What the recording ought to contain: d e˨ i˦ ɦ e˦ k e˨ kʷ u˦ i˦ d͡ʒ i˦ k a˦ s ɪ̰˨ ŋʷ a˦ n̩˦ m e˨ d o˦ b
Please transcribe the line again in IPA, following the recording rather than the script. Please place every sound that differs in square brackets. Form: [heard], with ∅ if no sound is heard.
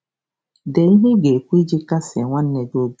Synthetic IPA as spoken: d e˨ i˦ ɦ e˦ [ɡ] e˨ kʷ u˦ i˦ d͡ʒ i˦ k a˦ s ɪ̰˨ ŋʷ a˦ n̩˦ [n] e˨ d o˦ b